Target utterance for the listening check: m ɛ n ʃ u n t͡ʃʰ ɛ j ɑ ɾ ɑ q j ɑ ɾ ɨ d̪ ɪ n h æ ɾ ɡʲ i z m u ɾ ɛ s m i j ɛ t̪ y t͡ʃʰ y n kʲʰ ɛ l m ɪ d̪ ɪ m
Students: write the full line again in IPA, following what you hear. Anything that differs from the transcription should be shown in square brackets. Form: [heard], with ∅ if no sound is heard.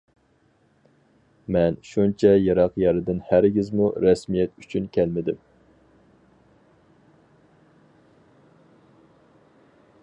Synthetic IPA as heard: m ɛ n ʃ u n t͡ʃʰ ɛ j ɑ ɾ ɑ q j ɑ ɾ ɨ d̪ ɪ n h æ ɾ ɡʲ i z m u ɾ ɛ s m i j ɛ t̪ y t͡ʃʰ y n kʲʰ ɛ l m ɪ d̪ ɪ m